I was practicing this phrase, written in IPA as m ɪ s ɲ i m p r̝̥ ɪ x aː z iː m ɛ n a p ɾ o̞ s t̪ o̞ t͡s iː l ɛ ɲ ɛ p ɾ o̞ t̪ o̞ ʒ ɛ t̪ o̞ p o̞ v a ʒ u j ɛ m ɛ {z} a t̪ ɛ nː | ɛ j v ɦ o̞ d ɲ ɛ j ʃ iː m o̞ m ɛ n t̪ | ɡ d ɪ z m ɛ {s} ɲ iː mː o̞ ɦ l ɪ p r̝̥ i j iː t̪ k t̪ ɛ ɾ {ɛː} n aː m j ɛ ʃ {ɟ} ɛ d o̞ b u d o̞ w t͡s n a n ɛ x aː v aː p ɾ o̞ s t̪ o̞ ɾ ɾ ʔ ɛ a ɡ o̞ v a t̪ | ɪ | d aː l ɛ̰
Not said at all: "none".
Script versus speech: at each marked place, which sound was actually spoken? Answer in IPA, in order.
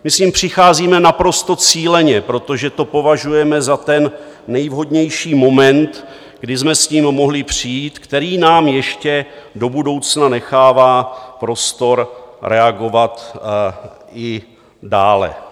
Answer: z, s, iː, c

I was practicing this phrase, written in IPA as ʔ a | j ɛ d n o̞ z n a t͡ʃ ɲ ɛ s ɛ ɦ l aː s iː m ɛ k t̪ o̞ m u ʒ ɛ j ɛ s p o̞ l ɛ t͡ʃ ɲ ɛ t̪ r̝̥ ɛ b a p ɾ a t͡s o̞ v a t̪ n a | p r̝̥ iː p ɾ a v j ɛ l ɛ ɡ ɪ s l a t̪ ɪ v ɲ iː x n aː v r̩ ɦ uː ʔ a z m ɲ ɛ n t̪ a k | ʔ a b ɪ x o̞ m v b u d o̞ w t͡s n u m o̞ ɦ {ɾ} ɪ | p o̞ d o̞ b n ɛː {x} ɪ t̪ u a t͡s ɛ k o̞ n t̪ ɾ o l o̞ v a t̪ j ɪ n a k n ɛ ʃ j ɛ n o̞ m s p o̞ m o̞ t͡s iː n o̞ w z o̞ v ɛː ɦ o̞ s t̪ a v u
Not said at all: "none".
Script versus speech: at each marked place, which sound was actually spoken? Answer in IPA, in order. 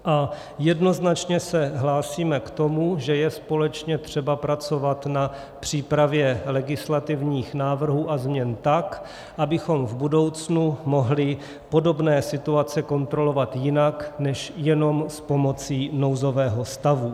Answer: l, s

